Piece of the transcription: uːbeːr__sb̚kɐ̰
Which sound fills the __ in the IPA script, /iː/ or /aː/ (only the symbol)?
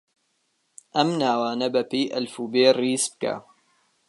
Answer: iː